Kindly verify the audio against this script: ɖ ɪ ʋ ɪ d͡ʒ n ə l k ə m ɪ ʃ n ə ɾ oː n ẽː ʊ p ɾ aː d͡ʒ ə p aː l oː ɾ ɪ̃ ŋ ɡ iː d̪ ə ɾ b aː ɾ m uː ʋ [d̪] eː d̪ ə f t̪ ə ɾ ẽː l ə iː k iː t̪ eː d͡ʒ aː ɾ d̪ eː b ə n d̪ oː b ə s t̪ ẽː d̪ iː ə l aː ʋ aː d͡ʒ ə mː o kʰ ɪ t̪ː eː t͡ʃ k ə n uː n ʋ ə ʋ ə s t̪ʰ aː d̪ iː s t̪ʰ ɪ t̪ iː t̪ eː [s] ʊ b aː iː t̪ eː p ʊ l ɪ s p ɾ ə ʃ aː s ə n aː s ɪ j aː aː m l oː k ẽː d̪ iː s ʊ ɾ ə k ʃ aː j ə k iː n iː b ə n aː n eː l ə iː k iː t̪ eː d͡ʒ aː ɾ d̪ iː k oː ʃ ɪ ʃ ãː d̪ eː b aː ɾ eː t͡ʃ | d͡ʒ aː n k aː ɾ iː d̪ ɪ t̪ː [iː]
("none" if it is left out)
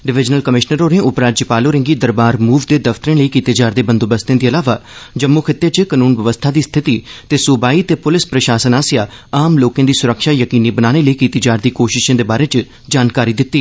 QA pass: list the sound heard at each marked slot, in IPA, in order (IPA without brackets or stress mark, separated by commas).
d̪, s, iː